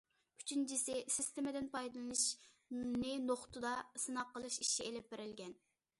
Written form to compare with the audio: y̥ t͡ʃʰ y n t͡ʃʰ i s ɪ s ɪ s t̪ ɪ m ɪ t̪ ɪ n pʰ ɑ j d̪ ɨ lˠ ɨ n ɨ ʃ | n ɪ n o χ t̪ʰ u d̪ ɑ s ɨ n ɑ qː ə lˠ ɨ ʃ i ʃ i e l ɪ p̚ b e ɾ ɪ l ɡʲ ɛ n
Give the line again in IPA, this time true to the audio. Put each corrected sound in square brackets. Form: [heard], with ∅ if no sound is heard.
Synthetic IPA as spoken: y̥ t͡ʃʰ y n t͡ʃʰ i s ɪ s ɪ s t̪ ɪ m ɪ [d̪] ɪ n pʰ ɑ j d̪ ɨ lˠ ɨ n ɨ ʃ | n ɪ n o χ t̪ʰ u d̪ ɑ s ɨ n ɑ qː ə lˠ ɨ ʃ i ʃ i e l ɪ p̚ b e ɾ ɪ l ɡʲ ɛ n